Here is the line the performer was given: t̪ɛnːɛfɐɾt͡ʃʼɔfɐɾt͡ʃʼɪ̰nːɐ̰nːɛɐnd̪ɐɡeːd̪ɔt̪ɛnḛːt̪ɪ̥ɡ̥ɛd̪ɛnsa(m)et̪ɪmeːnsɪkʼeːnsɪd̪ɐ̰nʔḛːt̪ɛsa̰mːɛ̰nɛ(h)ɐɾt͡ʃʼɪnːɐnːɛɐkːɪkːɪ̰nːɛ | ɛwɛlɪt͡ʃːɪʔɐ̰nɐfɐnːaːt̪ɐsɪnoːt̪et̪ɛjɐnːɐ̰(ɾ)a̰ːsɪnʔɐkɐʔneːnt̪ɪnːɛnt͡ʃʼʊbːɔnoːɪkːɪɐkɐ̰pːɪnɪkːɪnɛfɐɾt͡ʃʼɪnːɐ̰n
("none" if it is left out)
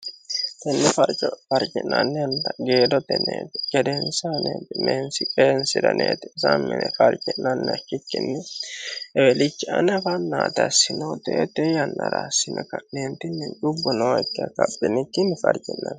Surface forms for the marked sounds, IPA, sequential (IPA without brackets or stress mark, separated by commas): n, f, ɾ